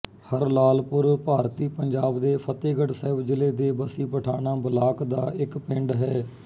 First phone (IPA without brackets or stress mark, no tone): h